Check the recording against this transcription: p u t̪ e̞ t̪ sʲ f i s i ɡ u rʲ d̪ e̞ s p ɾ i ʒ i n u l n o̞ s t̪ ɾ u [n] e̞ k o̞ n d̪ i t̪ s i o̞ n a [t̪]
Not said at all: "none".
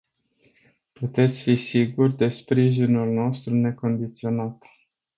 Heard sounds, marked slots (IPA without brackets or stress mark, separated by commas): n, t̪